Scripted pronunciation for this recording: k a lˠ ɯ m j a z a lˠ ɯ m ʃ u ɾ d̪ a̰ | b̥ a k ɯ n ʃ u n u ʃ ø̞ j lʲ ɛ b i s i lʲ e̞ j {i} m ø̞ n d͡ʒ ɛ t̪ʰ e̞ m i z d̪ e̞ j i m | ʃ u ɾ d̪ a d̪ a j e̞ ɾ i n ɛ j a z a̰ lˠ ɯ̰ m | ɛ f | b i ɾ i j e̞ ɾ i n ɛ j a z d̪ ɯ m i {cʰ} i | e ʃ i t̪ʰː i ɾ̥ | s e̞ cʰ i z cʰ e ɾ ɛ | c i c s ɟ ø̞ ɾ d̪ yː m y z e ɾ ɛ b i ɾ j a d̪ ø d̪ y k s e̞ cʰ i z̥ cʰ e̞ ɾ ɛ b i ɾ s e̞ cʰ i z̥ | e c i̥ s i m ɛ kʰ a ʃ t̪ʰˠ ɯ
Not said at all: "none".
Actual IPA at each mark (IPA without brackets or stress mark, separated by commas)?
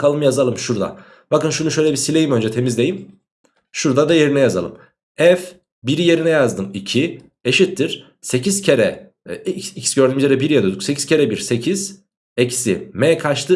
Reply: i, cʰ